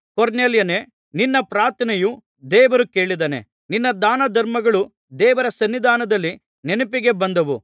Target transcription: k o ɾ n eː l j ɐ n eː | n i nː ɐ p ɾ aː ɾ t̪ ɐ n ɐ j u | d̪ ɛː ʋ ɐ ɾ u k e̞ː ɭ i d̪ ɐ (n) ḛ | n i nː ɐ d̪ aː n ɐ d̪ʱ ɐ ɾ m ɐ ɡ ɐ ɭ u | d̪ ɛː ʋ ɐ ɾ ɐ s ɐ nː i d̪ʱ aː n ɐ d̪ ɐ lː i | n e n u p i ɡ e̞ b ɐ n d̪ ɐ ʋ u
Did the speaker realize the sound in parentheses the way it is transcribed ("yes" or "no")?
yes